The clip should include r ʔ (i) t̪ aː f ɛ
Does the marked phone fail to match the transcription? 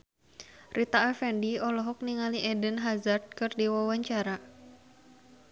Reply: no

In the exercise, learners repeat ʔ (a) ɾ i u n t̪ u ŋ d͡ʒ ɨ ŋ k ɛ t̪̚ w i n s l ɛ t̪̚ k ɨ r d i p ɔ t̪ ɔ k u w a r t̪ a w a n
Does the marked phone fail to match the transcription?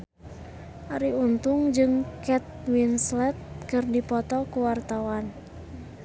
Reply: no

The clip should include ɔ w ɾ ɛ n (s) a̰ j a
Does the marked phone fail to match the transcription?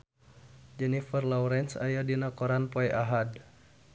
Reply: no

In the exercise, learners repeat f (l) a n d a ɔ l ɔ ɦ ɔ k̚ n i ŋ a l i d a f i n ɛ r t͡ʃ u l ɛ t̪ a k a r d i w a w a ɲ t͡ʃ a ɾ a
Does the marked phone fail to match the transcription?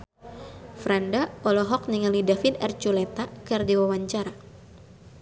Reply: yes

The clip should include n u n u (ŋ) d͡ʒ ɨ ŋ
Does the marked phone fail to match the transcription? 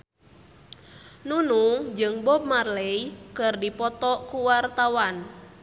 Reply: no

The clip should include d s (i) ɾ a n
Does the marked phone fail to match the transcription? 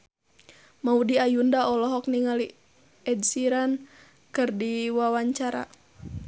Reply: no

